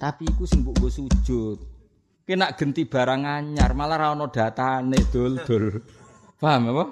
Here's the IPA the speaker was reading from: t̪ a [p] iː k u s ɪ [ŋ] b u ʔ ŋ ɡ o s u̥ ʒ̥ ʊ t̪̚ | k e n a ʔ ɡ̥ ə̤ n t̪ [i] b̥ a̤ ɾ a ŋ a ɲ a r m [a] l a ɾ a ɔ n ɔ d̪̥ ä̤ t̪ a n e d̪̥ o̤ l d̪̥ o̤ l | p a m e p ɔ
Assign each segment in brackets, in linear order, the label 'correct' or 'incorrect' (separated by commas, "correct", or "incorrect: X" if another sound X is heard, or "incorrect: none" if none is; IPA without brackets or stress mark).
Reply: correct, correct, correct, correct